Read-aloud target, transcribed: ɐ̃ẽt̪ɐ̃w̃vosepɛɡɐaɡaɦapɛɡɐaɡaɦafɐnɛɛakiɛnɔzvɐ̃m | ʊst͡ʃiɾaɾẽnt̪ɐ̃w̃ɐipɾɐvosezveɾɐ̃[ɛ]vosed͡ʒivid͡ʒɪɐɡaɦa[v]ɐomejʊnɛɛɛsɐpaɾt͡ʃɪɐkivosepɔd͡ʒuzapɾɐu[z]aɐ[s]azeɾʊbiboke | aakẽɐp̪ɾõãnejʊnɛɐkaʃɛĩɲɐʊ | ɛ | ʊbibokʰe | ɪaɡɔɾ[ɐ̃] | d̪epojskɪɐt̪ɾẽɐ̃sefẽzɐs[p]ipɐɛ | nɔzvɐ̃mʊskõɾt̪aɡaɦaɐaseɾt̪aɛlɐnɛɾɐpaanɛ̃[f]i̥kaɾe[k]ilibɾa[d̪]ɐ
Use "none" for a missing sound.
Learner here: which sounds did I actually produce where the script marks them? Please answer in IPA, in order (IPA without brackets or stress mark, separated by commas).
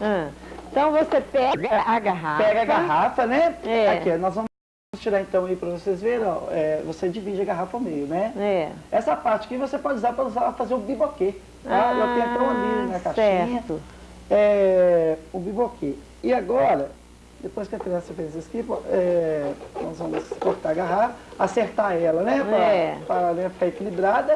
ɛ, f, z, f, ɐ, k, f, k, d̪